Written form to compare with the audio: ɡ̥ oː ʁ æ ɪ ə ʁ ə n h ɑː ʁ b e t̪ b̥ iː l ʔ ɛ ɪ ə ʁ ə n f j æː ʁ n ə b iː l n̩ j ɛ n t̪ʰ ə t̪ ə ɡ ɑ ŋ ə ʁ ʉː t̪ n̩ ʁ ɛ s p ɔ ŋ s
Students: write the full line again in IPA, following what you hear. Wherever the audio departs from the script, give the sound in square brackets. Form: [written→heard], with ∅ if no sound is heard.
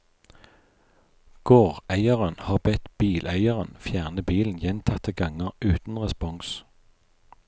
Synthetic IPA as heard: ɡ̥ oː ʁ æ ɪ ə ʁ ə n h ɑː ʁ b [e→ɛ] t̪ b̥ iː l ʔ [ɛ→æ] ɪ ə ʁ ə n f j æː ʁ n ə b iː l n̩ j ɛ n t̪ʰ [ə→ɑ] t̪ ə ɡ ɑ ŋ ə ʁ ʉː t̪ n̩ ʁ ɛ s p ɔ ŋ s